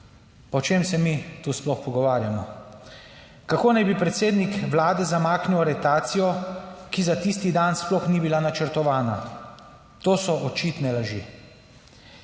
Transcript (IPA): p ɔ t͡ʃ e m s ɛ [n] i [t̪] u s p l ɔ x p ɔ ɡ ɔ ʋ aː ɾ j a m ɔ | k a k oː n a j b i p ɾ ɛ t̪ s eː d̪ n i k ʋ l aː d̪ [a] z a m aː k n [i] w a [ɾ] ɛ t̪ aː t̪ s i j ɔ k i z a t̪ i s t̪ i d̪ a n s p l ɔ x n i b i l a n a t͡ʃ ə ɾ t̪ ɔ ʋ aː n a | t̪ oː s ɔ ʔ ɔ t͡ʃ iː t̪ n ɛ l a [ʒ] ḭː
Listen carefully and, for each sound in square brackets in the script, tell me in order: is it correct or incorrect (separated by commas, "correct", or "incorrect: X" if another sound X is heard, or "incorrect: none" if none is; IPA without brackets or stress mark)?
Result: incorrect: m, correct, incorrect: ɛ, correct, correct, correct